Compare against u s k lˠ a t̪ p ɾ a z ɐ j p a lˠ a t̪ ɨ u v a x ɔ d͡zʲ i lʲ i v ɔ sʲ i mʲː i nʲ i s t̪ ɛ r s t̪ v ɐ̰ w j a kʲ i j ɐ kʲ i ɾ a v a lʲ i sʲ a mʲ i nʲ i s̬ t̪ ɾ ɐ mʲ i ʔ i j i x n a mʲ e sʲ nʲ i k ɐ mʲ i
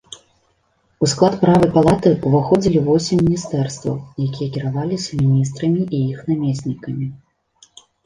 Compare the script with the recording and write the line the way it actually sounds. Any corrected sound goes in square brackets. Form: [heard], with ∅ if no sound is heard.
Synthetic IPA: u s k lˠ a t̪ p ɾ a [v] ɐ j p a lˠ a t̪ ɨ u v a x ɔ d͡zʲ i lʲ i v ɔ sʲ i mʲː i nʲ i s t̪ ɛ r s t̪ v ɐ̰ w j a kʲ i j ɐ kʲ i ɾ a v a lʲ i sʲ [ɐ] mʲ i nʲ i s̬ t̪ ɾ ɐ mʲ i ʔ i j i x n a mʲ e sʲ nʲ i k ɐ mʲ i